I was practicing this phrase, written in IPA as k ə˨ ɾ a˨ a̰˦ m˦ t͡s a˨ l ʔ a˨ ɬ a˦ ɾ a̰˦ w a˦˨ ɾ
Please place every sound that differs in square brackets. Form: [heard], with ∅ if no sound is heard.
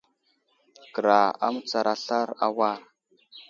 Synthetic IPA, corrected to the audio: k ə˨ ɾ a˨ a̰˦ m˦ t͡s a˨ [ɾ] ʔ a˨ ɬ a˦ ɾ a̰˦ w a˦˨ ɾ